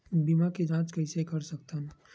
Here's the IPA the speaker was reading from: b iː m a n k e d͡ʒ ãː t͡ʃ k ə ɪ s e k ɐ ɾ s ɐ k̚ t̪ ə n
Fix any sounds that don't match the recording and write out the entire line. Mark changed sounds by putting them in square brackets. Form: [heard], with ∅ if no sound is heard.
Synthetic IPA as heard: b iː m a [∅] k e d͡ʒ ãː t͡ʃ k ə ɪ s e k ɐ ɾ s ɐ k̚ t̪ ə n